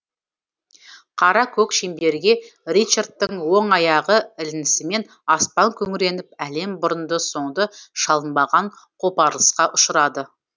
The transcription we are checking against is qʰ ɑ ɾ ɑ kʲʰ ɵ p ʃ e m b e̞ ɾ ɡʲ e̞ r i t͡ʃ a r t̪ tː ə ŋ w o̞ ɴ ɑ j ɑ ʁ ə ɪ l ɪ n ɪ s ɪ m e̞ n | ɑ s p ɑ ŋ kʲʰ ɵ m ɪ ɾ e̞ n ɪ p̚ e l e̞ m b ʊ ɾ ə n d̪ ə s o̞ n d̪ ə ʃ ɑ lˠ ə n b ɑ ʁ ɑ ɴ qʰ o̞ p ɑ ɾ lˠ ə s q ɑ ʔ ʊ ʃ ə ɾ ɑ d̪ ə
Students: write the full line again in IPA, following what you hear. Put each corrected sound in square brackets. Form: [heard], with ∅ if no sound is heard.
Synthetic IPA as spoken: qʰ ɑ ɾ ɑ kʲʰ ɵ [k] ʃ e m b e̞ ɾ ɡʲ e̞ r i t͡ʃ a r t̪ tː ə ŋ w o̞ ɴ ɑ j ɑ ʁ ə ɪ l ɪ n ɪ s ɪ m e̞ n | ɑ s p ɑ ŋ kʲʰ ɵ [ŋ] ɪ ɾ e̞ n ɪ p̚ [æ] l e̞ m b ʊ ɾ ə n d̪ ə s o̞ [ɴ] d̪ ə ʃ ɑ lˠ ə n b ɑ ʁ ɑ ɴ qʰ o̞ p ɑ ɾ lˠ ə s q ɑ ʔ ʊ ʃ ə ɾ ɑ d̪ ə